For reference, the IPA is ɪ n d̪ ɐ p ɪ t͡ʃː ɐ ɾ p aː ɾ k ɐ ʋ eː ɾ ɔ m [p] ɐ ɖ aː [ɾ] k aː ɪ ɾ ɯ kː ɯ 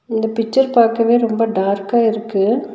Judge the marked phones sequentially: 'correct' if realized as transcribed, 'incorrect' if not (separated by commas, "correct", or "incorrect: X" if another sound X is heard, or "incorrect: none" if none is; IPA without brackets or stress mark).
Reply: incorrect: b, correct